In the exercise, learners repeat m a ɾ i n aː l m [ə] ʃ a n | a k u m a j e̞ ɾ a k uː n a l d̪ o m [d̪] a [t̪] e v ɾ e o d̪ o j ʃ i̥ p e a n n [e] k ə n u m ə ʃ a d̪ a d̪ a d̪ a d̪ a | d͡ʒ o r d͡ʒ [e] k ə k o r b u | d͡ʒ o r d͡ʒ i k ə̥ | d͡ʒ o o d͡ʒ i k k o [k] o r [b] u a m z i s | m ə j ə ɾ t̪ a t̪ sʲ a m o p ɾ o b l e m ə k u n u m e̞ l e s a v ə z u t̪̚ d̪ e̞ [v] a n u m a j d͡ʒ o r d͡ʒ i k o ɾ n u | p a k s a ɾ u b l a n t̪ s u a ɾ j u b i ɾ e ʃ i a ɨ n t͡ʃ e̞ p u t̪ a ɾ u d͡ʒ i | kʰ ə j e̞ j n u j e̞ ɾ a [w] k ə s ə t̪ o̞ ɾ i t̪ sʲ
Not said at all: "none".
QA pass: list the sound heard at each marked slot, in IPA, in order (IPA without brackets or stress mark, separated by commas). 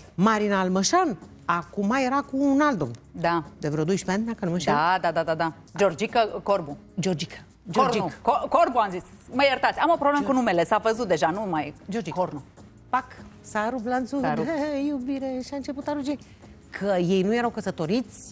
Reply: ə, d̪, d̪, a, i, k, b, ʒ, w